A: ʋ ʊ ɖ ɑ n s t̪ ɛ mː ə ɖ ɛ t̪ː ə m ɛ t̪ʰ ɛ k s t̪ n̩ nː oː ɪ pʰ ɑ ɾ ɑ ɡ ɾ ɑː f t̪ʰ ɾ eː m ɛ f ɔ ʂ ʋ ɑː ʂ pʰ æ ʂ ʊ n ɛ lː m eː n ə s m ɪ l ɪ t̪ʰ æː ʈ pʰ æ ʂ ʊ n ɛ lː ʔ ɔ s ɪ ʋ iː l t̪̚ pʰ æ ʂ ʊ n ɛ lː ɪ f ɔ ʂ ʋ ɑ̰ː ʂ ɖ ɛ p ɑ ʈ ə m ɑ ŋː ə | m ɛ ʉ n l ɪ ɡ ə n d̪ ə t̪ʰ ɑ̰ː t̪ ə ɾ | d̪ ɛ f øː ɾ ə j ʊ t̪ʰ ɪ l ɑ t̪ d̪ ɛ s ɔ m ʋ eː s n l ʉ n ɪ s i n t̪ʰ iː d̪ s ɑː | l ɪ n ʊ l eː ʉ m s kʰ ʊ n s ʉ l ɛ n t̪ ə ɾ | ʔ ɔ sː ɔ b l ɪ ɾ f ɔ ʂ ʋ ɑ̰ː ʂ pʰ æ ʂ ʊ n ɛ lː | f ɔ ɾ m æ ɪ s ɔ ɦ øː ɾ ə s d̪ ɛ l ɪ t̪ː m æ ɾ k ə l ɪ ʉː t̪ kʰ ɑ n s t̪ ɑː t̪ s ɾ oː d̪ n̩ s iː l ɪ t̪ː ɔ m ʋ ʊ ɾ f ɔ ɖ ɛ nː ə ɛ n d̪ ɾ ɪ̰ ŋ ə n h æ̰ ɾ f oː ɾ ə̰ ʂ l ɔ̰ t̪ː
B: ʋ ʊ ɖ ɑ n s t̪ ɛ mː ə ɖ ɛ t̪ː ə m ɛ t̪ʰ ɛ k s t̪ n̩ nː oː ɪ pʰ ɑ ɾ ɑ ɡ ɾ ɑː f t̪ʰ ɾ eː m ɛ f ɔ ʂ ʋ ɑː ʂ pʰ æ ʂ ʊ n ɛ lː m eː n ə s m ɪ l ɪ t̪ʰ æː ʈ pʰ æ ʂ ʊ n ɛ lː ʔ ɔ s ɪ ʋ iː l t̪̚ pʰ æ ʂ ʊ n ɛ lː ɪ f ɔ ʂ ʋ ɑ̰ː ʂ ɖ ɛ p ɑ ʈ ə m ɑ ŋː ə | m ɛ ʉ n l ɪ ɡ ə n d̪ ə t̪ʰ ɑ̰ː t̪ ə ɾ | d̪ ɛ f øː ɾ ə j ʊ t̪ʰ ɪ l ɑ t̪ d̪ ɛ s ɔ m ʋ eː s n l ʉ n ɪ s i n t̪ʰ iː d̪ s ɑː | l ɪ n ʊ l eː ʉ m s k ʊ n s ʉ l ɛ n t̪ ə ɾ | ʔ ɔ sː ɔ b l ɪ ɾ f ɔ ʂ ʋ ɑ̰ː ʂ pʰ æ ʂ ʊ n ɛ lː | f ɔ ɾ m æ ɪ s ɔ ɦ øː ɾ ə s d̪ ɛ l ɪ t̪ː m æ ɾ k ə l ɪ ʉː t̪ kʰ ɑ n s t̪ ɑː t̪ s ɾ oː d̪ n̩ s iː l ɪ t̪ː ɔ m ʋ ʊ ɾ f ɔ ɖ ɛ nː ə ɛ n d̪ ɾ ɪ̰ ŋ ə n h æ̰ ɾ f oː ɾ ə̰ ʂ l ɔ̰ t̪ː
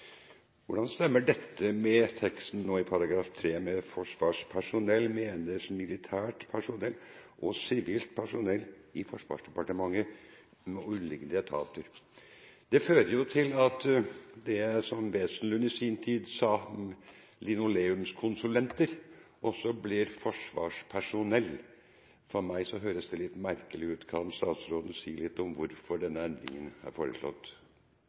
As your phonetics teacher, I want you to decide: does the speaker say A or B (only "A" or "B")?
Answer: A